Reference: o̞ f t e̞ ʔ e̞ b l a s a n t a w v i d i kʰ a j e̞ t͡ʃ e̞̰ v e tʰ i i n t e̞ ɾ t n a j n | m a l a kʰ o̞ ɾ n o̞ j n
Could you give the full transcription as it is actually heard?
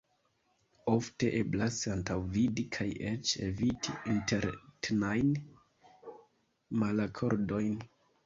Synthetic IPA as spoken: o̞ f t e̞ ʔ e̞ b l a s a n t a w v i d i kʰ a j e̞ t͡ʃ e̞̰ v i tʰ i i n t e̞ ɾ t n a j n | m a l a kʰ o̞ ɾ d o̞ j n